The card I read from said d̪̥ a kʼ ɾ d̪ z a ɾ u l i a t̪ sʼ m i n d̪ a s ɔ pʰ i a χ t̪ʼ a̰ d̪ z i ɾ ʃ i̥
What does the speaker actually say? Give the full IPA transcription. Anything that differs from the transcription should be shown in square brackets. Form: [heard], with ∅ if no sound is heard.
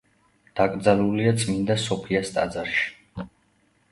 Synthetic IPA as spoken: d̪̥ a kʼ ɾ d̪ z a [l] u l i a t̪ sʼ m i n d̪ a s ɔ pʰ i a [s] t̪ʼ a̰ d̪ z [a] ɾ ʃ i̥